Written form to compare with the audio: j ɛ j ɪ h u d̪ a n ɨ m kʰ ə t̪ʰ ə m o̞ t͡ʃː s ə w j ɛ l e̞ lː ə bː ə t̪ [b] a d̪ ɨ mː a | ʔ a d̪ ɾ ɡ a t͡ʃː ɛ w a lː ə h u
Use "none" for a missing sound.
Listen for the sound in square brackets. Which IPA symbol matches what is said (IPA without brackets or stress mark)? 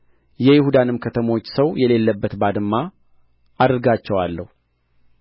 b